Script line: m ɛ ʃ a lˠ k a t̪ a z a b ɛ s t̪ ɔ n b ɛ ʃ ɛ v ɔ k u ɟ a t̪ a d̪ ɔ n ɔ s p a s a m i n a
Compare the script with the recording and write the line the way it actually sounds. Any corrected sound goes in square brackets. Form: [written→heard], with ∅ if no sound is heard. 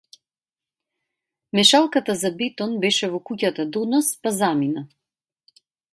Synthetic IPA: m ɛ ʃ a lˠ k a t̪ a z a b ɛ [s→∅] t̪ ɔ n b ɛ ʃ ɛ v ɔ k u [ɟ→c] a t̪ a d̪ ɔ n ɔ s p a [s→z] a m i n a